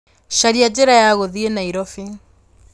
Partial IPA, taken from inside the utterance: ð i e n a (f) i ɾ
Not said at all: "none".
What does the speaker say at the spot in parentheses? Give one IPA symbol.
none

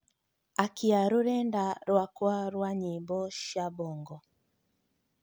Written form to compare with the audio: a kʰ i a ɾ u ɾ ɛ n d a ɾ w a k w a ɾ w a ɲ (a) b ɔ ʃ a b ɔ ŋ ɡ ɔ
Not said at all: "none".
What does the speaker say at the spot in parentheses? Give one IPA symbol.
i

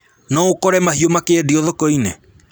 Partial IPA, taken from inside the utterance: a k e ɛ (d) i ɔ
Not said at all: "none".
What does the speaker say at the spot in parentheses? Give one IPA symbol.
d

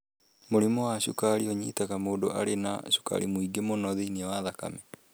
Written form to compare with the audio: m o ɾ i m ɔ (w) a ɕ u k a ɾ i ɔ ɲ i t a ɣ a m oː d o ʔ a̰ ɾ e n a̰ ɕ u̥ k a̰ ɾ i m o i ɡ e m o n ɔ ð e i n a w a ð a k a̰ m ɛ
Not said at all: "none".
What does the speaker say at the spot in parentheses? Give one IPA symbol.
w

